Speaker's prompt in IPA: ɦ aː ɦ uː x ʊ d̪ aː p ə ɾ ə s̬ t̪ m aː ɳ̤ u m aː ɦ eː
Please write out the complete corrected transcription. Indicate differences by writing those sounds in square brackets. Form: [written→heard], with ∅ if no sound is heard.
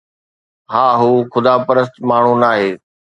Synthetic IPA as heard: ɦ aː ɦ uː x ʊ d̪ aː p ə ɾ ə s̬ t̪ m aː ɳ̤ u [m→n] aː ɦ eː